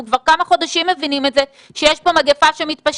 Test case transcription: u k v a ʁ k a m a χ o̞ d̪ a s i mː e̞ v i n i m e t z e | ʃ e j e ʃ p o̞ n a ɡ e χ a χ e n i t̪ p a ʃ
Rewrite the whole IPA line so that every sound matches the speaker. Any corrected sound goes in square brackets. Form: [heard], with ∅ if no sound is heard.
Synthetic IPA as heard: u k v a ʁ k a m a χ o̞ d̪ a [ʃ] i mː e̞ v i n i m e t z e | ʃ e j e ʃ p o̞ [m] a ɡ e [f] a [ʃ] e [m] i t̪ p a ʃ